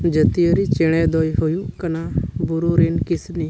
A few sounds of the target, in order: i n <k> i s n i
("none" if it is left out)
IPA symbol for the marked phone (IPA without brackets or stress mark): k